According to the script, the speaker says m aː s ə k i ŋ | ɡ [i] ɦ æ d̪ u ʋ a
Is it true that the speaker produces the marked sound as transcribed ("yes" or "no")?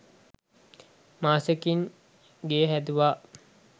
no